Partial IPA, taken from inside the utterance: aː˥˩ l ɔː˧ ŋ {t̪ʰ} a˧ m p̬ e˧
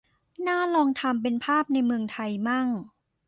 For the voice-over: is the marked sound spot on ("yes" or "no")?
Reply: yes